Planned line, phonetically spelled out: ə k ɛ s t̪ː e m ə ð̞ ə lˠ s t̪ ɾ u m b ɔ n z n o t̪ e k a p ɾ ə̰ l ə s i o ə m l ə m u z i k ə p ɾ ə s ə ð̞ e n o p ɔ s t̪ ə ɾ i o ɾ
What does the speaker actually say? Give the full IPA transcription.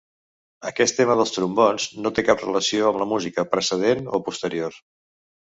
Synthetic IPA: ə k ɛ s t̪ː e m ə ð̞ ə lˠ s t̪ ɾ u m b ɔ n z n o t̪ e k a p r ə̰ l ə s i o ə m l ə m u z i k ə p ɾ ə s ə ð̞ e n o p u s t̪ ə ɾ i o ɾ